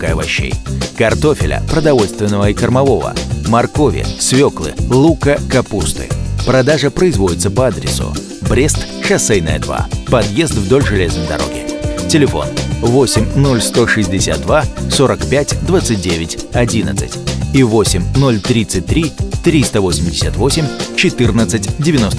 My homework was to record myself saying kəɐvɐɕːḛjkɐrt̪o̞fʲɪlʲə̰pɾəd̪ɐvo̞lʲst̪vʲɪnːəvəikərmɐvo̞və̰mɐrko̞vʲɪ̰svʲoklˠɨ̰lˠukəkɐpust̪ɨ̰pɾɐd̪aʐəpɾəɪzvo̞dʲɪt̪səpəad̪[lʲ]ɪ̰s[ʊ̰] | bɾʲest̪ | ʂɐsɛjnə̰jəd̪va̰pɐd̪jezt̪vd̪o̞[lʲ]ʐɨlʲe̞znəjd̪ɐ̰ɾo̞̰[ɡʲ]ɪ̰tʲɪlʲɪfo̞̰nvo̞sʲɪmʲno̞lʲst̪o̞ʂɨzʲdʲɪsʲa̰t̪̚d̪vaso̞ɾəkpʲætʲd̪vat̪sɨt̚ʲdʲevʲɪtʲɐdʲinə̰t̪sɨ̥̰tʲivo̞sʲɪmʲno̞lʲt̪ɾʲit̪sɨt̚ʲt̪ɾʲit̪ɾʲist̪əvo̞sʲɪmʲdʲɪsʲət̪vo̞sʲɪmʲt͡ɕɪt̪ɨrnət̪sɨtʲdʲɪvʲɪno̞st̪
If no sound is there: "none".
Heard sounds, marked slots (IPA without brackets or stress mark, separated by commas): ɾʲ, ʊ̰, lʲ, ɡʲ